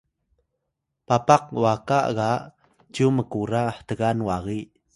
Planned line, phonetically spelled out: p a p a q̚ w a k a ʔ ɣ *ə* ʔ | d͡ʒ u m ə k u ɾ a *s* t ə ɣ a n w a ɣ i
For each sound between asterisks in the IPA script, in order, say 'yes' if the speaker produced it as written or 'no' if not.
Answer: no, no

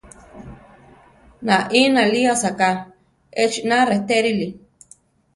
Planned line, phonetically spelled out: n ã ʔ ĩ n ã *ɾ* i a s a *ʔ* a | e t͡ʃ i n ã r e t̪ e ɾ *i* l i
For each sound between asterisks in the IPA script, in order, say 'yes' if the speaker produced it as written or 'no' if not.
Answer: no, no, yes

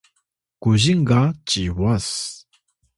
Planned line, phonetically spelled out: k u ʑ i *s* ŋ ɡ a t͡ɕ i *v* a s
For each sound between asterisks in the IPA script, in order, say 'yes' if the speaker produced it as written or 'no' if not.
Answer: no, no

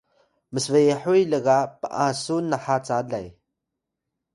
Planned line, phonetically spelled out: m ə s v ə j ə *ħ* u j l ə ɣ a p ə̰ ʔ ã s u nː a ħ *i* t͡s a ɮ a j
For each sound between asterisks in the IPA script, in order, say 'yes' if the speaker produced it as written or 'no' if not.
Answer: yes, no

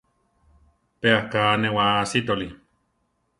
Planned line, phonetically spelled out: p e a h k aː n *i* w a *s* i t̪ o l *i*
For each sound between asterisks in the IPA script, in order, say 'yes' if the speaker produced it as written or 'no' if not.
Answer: no, yes, yes

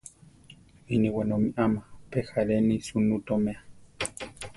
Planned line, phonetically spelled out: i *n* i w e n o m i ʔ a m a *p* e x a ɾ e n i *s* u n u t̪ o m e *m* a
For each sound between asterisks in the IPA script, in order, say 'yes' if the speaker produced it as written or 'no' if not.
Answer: yes, yes, yes, no

